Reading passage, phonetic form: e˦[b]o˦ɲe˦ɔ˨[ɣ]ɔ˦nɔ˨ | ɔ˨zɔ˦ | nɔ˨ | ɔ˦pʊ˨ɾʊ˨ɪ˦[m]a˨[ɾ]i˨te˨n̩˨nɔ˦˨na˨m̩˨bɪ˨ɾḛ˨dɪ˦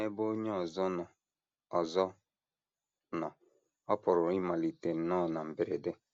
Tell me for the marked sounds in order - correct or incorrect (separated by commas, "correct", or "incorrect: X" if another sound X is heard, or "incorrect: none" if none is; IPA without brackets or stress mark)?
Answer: correct, incorrect: z, correct, incorrect: l